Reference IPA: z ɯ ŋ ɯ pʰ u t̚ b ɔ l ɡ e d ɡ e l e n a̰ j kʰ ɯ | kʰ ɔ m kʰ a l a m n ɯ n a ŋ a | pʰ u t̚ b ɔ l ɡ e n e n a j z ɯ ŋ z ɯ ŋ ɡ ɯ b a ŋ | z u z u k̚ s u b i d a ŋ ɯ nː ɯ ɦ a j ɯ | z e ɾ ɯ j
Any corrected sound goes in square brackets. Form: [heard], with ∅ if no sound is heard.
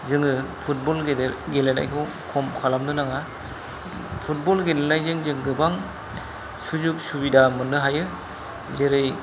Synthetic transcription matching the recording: z ɯ ŋ ɯ pʰ u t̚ b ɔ l ɡ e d ɡ e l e n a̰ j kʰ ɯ | kʰ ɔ m kʰ a l a m n ɯ n a ŋ a | pʰ u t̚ b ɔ l ɡ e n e n a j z ɯ ŋ z ɯ ŋ ɡ ɯ b a ŋ | [s] u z u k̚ s u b i d a [m] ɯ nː ɯ ɦ a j ɯ | z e ɾ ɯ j